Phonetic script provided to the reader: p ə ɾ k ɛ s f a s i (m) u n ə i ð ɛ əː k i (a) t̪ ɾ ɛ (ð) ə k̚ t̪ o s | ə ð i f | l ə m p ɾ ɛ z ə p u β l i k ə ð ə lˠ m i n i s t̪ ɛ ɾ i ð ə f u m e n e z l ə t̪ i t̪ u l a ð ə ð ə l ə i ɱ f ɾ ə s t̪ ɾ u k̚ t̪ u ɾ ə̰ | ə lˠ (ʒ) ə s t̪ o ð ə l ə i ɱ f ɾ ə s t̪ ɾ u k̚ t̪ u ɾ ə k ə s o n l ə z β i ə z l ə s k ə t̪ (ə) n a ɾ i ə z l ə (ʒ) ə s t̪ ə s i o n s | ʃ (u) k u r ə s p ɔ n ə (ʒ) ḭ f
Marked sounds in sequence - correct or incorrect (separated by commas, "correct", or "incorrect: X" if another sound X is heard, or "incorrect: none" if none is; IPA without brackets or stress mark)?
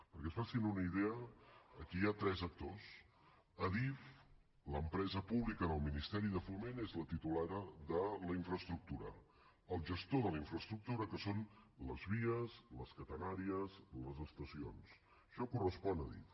incorrect: n, correct, incorrect: z, correct, correct, incorrect: z, incorrect: ɔ, incorrect: ð